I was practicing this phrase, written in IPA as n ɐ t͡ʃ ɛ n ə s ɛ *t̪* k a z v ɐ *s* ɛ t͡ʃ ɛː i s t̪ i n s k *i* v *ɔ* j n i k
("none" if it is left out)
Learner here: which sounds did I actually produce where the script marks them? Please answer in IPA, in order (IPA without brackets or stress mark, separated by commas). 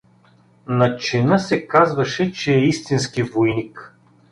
none, ʃ, i, o